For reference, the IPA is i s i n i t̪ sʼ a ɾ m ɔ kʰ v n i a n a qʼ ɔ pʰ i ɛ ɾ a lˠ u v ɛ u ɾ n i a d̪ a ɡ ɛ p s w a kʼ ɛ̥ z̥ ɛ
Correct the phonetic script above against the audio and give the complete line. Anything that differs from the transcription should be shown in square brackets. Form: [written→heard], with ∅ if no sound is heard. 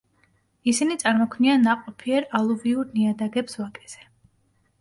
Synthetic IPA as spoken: i s i n i t̪ sʼ a ɾ m ɔ kʰ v n i a n a qʼ ɔ pʰ i ɛ ɾ a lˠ u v [ɛ→i] u ɾ n i a d̪ a ɡ ɛ p s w a kʼ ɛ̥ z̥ ɛ